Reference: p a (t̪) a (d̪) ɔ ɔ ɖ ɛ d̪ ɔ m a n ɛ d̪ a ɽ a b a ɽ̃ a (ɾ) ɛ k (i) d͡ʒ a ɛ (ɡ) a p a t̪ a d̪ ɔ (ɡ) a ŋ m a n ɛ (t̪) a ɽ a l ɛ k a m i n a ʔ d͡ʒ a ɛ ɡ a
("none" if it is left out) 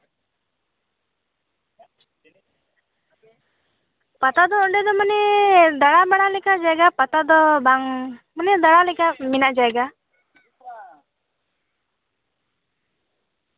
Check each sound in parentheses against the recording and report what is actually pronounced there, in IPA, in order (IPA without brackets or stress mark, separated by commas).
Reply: t̪, d̪, l, a, ɡ, b, d̪